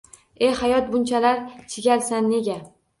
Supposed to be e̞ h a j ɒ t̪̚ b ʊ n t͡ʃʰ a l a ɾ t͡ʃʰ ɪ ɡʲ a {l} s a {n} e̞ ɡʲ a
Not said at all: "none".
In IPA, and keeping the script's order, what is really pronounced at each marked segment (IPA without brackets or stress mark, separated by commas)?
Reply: l, nː